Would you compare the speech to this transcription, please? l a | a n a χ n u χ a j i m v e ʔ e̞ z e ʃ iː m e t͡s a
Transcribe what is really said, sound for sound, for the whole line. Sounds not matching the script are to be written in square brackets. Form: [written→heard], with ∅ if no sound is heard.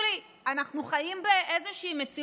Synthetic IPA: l [a→i] | a n a χ n u χ a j i m [v→b] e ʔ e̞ z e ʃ iː m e t͡s [a→i]